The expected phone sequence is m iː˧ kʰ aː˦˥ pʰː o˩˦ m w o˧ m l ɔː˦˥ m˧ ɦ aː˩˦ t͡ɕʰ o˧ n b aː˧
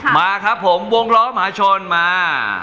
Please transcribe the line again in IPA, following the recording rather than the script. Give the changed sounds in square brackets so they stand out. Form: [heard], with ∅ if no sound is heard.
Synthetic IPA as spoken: m [aː˧] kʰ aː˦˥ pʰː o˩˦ m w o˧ [ŋ] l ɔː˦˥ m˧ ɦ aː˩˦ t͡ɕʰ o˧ n [m] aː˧